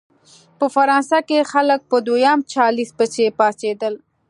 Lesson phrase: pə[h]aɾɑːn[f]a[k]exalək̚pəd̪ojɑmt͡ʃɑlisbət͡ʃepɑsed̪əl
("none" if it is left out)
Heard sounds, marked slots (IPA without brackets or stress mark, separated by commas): f, s, k